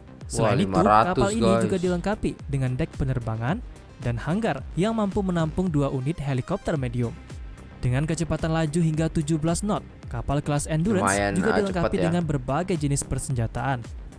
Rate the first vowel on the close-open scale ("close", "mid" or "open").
mid